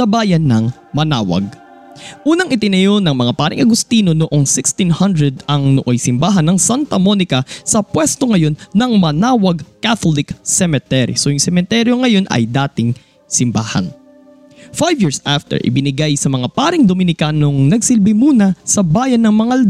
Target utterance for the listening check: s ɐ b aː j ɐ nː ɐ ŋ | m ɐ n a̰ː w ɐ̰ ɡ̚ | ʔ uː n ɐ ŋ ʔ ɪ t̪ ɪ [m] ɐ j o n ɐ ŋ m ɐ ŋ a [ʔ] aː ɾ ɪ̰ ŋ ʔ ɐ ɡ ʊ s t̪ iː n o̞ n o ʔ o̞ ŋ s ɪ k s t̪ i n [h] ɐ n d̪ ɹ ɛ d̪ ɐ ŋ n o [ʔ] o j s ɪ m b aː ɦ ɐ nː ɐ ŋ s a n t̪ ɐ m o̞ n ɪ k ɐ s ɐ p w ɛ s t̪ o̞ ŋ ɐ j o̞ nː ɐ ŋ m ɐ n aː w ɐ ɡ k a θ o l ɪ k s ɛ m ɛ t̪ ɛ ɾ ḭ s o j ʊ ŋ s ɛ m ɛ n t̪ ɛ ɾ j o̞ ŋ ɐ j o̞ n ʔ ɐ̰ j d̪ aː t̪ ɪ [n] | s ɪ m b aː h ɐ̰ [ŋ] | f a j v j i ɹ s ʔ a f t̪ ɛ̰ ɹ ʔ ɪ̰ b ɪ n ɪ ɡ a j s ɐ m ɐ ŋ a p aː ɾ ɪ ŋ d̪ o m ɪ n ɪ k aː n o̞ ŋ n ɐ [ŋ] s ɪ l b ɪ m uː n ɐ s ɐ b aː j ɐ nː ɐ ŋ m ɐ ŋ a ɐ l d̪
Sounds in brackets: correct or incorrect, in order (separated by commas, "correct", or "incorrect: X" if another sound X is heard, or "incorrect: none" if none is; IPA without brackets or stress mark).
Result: incorrect: n, incorrect: p, correct, correct, incorrect: ŋ, incorrect: n, incorrect: ɡ